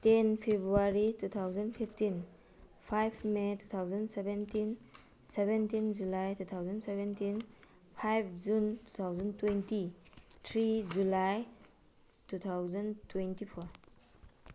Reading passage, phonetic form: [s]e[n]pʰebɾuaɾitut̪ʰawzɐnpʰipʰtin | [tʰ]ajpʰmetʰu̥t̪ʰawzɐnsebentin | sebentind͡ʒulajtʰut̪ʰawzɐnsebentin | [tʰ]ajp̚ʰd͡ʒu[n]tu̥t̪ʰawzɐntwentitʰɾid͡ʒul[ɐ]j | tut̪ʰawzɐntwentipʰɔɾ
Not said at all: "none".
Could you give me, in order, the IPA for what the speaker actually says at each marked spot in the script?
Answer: t, n, pʰ, pʰ, n, a

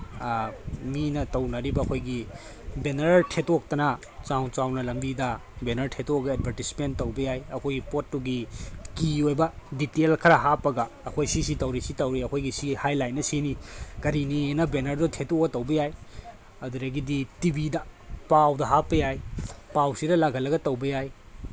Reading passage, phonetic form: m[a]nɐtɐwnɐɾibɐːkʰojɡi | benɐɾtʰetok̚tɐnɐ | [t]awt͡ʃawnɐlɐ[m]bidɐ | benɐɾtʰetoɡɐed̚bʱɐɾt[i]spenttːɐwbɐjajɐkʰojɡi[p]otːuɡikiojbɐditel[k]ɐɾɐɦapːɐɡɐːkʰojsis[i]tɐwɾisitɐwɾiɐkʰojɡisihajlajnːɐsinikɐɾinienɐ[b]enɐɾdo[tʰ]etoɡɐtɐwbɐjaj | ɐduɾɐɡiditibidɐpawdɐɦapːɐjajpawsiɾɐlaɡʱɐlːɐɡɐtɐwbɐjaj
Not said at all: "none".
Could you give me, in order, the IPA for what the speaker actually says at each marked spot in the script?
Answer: i, t͡ʃ, m, i, p, kʰ, i, b, tʰ

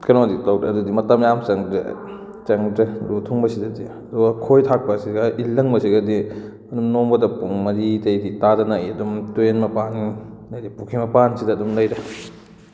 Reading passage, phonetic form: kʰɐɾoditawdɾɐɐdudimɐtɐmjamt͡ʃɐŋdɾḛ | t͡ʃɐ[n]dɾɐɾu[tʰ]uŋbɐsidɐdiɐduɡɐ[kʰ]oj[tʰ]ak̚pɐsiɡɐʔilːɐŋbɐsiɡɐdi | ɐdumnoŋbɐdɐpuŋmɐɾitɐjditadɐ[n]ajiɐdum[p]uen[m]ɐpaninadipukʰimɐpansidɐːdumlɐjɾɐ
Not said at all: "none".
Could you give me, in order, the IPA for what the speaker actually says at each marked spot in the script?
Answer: ŋ, tʰ, kʰ, tʰ, n, t, m

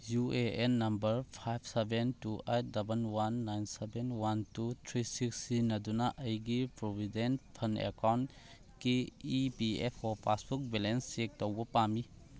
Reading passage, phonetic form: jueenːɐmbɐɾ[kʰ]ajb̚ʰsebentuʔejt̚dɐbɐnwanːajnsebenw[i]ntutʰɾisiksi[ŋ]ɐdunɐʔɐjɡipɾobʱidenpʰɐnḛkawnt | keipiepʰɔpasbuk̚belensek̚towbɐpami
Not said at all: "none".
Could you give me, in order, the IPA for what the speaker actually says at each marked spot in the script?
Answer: pʰ, a, n

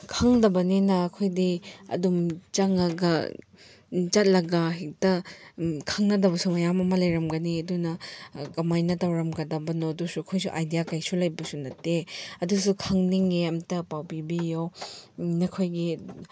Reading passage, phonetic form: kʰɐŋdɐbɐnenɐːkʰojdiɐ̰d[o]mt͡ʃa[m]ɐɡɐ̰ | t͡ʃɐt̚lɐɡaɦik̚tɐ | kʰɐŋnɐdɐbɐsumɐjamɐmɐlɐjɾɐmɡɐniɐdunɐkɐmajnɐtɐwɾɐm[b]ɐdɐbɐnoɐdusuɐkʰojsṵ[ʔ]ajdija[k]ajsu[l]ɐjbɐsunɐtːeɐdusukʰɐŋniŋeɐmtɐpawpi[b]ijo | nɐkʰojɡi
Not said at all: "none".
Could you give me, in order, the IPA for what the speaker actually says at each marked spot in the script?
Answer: u, ŋ, ɡ, ʔ, k, l, b

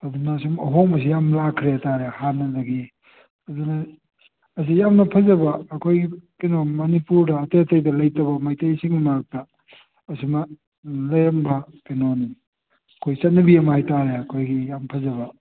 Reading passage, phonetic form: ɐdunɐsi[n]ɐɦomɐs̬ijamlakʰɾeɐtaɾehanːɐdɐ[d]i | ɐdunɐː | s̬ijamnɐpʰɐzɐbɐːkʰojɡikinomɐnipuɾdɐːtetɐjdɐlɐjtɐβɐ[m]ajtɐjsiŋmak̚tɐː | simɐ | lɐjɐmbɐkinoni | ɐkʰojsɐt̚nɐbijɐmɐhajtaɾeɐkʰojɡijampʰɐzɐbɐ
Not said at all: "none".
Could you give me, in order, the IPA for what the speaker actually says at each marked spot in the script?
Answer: m, ɡ, m

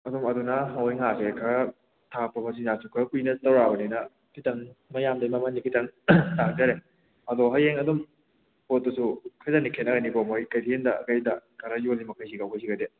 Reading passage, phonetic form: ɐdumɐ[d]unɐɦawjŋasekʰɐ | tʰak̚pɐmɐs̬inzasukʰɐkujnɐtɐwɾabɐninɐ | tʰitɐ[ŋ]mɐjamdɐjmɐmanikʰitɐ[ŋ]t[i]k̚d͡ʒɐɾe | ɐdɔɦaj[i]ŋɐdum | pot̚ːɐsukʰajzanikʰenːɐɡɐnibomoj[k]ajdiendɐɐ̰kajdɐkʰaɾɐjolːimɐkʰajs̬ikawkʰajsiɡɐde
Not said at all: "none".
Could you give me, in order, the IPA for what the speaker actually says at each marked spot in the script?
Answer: d, ŋ, ŋ, a, e, k

